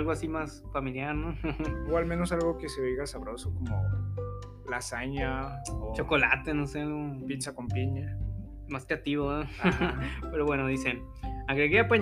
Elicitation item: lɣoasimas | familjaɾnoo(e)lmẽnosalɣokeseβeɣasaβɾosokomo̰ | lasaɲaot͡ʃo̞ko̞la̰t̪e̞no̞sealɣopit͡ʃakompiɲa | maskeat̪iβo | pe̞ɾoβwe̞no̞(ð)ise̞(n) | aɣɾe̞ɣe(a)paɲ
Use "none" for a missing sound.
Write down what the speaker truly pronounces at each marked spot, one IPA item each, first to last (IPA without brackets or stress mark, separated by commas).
a, ð, n, a